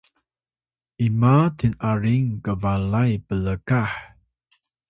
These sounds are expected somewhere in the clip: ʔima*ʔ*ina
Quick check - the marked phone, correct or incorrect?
incorrect